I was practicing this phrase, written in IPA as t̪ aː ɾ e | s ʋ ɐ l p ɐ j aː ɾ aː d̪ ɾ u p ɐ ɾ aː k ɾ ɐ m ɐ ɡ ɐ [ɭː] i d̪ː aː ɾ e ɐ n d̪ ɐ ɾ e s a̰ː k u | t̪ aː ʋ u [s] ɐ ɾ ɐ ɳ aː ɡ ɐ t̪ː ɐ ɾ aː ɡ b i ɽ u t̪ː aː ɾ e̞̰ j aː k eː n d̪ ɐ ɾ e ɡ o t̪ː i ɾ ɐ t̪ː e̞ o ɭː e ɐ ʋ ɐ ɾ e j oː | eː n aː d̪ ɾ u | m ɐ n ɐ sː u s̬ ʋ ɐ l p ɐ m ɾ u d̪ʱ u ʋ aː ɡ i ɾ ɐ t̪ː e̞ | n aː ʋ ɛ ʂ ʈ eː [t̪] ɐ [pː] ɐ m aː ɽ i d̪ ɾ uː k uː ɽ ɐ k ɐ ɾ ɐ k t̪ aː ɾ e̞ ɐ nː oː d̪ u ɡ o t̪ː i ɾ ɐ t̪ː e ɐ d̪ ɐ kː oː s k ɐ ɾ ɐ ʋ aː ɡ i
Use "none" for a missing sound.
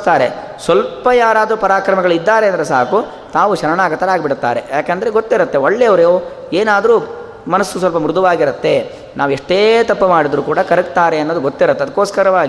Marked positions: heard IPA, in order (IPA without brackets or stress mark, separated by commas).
ɭ, ʃ, t̪, pː